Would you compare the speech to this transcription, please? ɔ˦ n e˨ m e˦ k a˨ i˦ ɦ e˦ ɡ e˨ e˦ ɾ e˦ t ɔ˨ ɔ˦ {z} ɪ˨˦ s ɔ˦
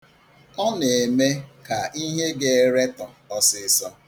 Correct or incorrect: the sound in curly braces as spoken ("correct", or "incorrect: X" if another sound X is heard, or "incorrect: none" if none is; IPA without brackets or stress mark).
incorrect: s